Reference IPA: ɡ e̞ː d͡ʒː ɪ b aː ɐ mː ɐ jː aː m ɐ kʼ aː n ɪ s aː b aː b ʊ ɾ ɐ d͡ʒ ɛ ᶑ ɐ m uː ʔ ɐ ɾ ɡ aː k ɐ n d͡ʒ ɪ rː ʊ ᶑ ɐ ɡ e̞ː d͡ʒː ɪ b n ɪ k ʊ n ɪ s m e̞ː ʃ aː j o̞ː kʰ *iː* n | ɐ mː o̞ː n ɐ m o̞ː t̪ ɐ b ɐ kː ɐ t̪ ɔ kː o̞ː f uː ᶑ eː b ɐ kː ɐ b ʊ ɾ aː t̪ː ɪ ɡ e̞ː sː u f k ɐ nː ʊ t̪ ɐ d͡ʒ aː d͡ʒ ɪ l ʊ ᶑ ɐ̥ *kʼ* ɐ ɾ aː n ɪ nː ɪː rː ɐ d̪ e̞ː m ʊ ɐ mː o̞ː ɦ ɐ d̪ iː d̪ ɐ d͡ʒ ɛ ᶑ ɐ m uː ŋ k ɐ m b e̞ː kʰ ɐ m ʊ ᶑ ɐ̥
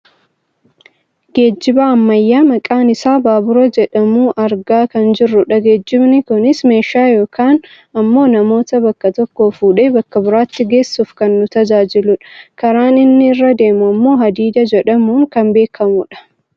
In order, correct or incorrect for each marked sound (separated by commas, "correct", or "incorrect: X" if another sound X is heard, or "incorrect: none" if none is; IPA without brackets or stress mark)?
incorrect: aː, incorrect: k